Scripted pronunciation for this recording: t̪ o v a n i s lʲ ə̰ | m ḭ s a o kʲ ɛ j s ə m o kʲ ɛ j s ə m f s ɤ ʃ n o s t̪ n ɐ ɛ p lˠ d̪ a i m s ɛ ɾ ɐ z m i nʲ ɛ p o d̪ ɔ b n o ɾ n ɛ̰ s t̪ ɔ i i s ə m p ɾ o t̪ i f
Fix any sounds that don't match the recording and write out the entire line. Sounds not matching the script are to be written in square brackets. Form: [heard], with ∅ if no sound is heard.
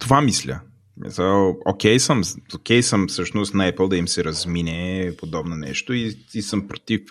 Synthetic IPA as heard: t̪ o v a [m] i s lʲ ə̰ | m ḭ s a o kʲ ɛ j s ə m o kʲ ɛ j s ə m f s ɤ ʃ n o s t̪ n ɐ ɛ p lˠ d̪ [ɐ] i m s ɛ ɾ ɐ z m i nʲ ɛ p o d̪ ɔ b n o [∅] n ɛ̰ [ʃ] t̪ [o] i i s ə m p ɾ o t̪ i f